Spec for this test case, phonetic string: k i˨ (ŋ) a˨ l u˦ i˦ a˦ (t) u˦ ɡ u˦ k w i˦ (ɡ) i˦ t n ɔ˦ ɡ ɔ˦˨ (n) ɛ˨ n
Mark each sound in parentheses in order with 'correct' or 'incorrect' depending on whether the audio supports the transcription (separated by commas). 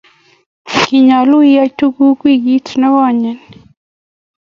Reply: incorrect, correct, correct, incorrect